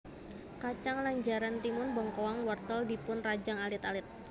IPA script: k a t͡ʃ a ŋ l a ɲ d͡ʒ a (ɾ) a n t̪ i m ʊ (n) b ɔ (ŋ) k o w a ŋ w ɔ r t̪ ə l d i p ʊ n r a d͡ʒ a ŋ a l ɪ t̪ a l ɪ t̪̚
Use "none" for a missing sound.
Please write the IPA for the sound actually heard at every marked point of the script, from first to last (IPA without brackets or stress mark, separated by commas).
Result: ɾ, n, ŋ